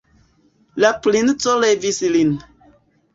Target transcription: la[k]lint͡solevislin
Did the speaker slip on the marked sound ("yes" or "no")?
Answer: yes